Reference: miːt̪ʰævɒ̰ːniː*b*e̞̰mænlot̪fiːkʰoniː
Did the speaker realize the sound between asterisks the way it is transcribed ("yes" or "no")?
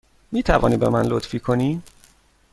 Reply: yes